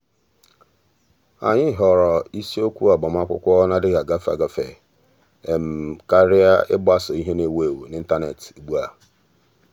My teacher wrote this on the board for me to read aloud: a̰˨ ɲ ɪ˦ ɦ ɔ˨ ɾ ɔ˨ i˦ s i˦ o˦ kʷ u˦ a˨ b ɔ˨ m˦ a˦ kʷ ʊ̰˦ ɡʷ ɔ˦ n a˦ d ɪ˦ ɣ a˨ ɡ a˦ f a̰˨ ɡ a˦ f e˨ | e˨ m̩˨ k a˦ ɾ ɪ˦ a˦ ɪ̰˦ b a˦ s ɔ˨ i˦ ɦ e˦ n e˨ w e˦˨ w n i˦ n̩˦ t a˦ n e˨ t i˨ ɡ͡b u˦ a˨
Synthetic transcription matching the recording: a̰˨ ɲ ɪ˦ ɦ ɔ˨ ɾ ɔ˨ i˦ s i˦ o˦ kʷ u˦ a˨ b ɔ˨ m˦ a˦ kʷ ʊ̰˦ kʷ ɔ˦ n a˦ d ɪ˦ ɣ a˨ ɡ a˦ f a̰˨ ɡ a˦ f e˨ | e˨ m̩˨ k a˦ ɾ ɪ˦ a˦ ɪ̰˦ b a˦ s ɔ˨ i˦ ɦ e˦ n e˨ w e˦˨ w n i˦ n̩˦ t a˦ n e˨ t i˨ ɡ͡b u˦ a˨